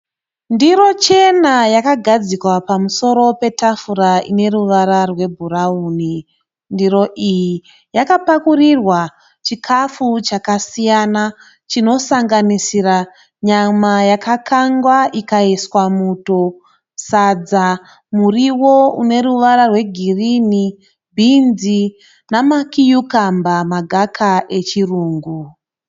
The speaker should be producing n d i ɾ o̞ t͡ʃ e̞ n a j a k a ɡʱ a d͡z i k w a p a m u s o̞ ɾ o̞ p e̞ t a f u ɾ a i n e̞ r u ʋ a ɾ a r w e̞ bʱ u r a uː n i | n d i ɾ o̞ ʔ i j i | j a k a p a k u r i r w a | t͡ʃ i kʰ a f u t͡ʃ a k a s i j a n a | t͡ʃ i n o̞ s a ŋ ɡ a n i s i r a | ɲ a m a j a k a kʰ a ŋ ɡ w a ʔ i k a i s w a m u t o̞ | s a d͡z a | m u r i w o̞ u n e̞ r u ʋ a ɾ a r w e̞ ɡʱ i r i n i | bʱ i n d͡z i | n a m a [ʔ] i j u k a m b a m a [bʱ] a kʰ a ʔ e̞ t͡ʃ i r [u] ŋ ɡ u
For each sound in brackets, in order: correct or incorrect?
incorrect: k, incorrect: ɡʱ, incorrect: uː

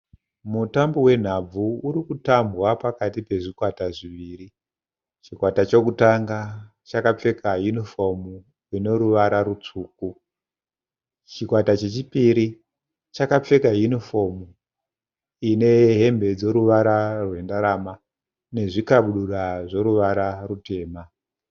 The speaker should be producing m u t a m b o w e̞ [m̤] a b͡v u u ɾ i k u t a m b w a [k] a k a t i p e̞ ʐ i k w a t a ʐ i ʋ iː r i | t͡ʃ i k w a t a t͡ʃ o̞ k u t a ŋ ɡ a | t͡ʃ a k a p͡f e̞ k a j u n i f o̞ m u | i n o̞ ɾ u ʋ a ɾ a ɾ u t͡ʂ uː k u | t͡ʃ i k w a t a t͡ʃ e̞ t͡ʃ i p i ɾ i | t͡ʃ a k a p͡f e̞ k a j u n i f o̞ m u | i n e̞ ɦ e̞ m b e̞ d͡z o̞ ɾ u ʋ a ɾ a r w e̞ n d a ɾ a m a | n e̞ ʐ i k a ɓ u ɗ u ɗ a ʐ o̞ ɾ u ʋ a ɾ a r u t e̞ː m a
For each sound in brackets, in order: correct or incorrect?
incorrect: n̤, incorrect: p

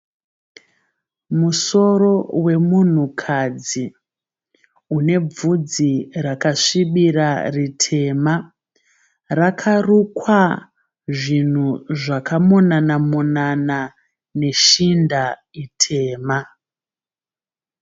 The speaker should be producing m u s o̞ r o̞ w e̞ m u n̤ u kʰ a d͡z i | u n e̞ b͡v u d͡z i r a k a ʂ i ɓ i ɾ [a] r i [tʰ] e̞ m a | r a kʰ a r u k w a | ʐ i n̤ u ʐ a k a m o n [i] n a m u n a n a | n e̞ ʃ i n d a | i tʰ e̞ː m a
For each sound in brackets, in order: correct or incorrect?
correct, correct, incorrect: a

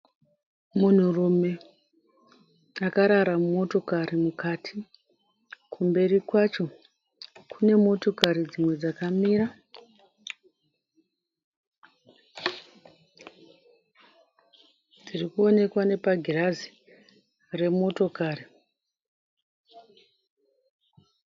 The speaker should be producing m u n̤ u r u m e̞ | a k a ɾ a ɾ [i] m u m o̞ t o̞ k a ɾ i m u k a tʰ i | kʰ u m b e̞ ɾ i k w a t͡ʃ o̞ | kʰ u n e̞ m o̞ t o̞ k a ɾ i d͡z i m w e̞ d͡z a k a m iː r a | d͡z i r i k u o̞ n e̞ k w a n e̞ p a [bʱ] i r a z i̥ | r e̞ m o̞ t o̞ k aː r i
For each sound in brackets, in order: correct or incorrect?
incorrect: a, incorrect: ɡʱ

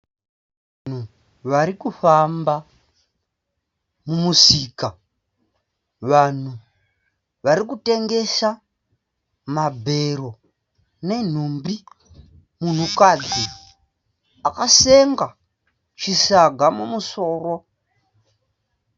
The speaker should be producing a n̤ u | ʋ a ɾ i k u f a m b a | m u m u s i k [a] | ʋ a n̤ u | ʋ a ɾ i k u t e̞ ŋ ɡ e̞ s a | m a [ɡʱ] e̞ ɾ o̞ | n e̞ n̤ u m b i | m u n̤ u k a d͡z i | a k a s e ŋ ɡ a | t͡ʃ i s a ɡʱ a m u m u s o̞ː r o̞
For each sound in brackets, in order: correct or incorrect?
correct, incorrect: bʱ

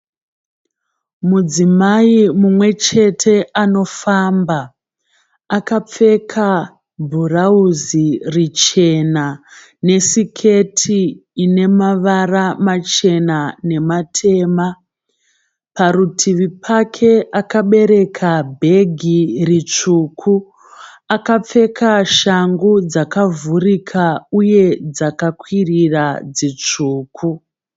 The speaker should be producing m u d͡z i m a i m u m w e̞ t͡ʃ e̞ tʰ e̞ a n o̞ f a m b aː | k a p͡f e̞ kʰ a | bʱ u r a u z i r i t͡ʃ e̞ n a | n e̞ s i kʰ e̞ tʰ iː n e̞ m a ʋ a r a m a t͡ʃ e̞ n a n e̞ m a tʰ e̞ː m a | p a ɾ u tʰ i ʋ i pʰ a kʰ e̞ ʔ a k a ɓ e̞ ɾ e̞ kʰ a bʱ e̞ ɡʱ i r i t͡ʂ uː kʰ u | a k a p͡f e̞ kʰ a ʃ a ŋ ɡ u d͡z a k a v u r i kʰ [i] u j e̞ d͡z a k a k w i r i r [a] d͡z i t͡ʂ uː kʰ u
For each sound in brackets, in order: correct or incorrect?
incorrect: a, correct

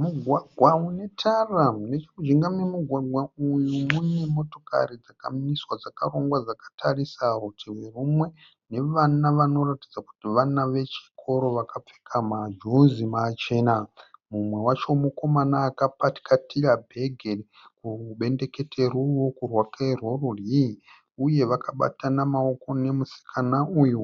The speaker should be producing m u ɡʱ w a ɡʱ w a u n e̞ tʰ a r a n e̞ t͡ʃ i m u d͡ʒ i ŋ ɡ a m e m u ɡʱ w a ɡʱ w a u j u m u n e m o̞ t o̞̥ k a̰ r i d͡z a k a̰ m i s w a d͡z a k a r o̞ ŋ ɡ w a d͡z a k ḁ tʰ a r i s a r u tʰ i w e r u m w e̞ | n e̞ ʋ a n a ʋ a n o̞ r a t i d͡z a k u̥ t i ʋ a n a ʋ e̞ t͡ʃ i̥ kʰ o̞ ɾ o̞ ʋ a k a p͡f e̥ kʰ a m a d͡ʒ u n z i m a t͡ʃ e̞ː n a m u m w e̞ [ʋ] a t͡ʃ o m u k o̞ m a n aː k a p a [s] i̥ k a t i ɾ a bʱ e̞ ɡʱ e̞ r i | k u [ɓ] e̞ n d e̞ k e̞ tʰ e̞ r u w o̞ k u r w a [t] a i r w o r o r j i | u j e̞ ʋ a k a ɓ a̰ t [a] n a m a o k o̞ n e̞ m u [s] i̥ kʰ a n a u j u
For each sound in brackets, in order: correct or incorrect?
incorrect: w, incorrect: t, correct, incorrect: k, correct, correct

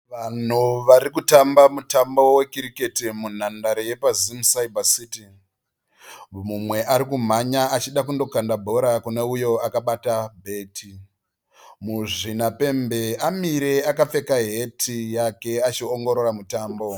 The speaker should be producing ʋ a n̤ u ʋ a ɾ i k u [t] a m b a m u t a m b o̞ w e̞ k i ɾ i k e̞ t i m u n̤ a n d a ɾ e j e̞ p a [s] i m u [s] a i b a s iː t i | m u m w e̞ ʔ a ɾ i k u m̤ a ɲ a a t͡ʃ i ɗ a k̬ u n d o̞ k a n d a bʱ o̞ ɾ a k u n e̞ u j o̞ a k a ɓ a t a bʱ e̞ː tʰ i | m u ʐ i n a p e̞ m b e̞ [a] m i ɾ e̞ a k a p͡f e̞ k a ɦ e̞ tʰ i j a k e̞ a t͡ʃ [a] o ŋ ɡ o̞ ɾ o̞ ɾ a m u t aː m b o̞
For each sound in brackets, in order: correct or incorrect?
correct, incorrect: z, correct, correct, incorrect: i

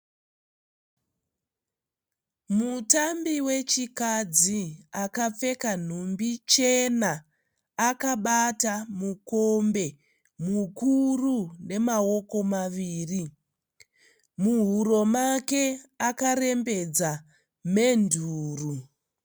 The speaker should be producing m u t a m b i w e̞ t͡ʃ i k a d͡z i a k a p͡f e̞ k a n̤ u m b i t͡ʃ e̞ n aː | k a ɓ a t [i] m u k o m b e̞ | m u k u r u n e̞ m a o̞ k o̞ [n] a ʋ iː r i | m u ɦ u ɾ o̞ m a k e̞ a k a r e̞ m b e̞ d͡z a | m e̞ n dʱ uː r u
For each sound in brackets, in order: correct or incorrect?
incorrect: a, incorrect: m

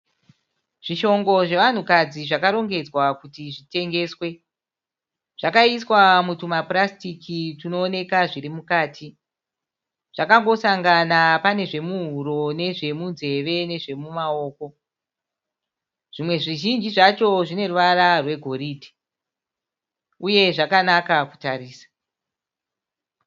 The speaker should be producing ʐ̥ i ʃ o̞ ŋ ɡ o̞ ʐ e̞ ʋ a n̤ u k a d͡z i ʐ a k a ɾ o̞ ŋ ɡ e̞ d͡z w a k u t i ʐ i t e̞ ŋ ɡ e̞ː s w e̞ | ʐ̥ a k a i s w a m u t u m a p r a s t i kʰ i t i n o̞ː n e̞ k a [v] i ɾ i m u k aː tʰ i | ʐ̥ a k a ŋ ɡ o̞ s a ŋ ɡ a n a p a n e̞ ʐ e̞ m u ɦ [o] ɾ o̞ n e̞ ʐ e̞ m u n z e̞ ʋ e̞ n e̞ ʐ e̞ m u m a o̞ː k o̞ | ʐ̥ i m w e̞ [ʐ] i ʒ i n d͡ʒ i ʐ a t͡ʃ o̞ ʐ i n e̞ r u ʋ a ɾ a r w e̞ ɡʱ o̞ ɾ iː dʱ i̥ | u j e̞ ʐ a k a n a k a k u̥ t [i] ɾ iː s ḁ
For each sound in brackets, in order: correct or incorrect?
incorrect: ʐ, incorrect: u, correct, incorrect: a

